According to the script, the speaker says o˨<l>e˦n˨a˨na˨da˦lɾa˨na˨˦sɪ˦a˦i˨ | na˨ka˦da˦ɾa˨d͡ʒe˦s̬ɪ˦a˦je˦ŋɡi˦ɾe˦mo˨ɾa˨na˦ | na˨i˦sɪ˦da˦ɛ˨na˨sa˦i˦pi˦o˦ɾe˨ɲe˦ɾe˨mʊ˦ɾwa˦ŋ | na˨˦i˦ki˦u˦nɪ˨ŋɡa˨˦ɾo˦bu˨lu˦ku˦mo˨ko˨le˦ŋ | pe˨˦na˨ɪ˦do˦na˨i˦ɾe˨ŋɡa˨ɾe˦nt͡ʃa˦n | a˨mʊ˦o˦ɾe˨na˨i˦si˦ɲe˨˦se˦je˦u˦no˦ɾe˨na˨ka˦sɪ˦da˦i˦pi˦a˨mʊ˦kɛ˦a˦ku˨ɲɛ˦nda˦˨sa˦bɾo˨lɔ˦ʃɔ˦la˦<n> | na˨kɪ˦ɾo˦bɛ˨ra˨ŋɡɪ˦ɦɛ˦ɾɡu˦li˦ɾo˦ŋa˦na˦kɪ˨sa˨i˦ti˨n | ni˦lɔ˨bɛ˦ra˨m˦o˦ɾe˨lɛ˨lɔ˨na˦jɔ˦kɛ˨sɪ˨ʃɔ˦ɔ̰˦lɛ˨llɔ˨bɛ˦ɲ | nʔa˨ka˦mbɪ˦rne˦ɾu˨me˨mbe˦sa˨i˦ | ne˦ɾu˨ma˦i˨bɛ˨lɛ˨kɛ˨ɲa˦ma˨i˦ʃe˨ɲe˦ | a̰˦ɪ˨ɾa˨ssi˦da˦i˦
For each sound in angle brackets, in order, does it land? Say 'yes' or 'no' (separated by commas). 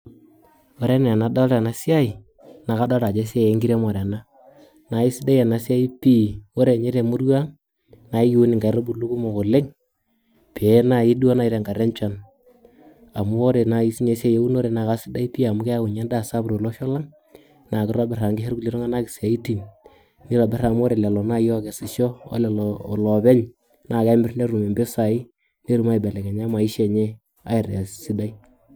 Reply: no, no